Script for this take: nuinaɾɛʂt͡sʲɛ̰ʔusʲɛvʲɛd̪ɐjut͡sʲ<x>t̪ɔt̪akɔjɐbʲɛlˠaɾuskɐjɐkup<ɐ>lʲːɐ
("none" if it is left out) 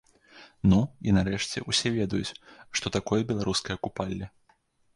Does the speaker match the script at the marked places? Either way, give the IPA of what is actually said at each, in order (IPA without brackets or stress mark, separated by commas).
ʂ, a